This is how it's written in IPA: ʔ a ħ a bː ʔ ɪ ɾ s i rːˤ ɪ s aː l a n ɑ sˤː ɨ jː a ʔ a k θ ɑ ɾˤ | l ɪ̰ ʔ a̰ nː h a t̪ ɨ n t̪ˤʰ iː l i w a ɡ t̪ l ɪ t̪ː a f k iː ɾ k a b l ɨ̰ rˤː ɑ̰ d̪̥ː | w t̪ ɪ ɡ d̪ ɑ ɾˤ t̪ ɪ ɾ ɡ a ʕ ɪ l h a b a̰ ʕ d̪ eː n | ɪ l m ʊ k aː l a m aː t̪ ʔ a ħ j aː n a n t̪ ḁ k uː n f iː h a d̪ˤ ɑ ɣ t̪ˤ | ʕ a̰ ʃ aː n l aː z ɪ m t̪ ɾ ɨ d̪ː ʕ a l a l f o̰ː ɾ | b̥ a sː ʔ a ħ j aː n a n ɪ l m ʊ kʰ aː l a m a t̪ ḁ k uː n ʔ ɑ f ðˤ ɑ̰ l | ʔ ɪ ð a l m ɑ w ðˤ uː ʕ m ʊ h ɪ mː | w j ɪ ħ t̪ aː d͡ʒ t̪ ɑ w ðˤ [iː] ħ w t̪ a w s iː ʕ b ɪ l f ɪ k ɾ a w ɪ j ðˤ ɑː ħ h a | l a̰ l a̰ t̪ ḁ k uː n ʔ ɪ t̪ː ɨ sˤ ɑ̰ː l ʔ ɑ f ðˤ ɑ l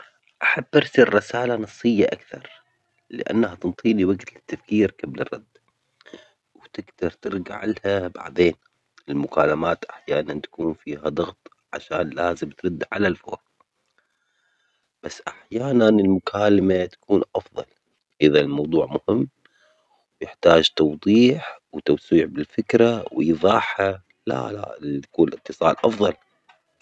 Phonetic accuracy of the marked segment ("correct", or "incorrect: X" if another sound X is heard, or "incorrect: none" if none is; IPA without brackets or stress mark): correct